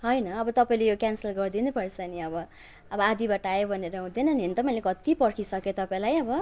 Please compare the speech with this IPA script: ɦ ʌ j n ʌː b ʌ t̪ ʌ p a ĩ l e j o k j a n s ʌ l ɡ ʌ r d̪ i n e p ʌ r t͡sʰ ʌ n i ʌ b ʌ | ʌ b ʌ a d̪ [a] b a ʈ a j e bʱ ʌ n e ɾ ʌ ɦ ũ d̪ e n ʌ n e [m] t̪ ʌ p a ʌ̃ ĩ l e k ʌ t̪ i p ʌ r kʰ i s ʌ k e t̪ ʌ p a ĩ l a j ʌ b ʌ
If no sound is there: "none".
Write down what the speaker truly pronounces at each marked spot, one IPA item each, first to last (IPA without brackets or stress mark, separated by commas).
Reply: i, n